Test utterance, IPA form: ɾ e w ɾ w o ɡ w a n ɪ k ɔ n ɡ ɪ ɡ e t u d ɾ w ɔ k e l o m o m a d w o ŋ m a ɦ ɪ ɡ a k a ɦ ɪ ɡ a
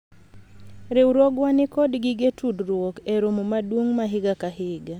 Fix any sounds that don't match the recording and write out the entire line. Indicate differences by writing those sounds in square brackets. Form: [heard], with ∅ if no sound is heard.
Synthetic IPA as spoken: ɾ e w ɾ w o ɡ w a n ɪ k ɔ [d] ɡ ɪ ɡ e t u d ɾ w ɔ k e [ɾ] o m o m a d w o ŋ m a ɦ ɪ ɡ a k a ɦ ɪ ɡ a